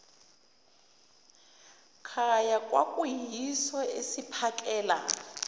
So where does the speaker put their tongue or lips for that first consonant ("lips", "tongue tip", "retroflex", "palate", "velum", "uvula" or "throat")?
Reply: velum